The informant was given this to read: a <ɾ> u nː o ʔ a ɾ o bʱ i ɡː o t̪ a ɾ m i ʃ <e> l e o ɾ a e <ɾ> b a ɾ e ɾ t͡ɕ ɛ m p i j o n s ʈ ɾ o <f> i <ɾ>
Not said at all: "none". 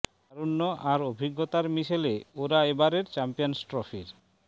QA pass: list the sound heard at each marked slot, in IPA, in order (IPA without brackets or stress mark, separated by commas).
ɾ, e, none, f, ɾ